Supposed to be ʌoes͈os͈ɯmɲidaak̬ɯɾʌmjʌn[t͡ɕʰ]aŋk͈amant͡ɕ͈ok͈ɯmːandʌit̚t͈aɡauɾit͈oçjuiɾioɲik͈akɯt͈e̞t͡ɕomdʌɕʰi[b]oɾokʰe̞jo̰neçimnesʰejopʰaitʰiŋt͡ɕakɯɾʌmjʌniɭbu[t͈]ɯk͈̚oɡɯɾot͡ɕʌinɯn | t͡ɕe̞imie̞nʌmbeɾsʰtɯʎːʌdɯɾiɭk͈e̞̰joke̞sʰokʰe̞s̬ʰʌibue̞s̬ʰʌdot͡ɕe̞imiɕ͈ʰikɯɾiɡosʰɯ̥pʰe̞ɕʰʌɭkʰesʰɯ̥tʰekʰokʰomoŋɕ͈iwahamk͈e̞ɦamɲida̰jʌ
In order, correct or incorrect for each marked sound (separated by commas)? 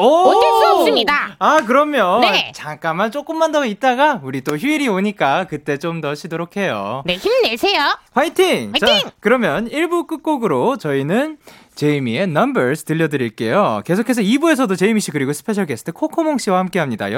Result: incorrect, incorrect, incorrect